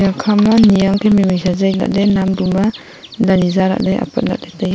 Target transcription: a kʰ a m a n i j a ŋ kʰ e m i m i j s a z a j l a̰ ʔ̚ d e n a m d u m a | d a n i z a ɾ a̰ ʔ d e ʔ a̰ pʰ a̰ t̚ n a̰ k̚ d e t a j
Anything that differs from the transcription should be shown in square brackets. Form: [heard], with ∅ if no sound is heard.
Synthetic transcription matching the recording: a kʰ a m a n i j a ŋ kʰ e m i m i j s a z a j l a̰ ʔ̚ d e n a m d u m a | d a n i z a ɾ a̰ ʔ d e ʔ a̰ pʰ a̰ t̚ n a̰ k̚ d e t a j